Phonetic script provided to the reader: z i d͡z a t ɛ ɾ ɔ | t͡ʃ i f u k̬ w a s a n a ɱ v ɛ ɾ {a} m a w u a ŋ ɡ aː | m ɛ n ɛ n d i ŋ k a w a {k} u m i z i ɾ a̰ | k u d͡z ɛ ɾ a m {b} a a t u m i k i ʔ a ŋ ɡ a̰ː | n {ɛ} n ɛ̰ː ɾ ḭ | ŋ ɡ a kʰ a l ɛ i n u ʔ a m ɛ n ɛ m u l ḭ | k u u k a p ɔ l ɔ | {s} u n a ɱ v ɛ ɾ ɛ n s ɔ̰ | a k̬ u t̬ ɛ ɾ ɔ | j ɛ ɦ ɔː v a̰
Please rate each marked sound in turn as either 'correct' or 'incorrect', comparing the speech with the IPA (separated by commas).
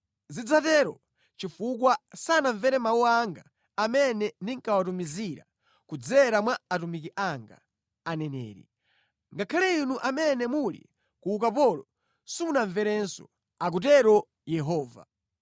incorrect, incorrect, incorrect, correct, correct